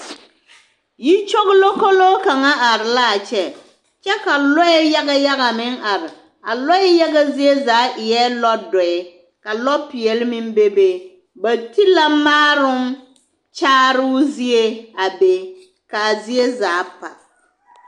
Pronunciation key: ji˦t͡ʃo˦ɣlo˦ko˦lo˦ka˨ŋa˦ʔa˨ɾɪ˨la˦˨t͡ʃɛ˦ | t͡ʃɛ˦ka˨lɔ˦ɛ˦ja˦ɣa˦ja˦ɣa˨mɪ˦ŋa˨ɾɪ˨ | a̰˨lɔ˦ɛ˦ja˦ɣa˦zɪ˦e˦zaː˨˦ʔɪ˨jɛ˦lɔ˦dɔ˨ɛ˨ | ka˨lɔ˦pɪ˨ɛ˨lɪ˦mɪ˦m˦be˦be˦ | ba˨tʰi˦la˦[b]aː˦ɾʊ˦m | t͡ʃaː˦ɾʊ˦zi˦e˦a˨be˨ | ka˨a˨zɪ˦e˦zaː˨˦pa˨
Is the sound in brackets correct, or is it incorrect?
incorrect